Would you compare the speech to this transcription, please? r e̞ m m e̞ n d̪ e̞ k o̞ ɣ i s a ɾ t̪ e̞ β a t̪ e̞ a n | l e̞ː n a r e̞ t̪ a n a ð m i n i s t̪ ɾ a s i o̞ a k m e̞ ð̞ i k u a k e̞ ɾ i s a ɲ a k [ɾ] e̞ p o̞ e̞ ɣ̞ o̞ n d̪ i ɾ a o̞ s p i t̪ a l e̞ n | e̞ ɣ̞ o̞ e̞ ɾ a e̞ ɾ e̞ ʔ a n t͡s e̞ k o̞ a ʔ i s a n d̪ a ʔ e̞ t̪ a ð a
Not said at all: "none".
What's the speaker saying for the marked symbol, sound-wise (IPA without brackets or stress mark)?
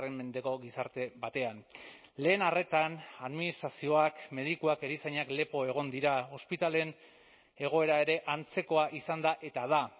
l